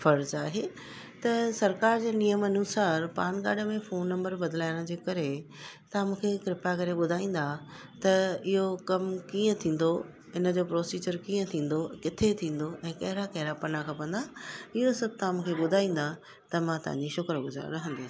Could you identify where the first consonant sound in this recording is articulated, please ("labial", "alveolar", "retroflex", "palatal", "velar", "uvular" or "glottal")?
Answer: labial